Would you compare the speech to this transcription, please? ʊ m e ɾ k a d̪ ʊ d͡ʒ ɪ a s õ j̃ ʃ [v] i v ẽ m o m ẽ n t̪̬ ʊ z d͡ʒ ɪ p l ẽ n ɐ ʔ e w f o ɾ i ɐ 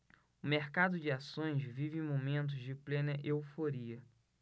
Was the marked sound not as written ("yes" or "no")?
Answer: no